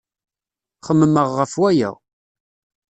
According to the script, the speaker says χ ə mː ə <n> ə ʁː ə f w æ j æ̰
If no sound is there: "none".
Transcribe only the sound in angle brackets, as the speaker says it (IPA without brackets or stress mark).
m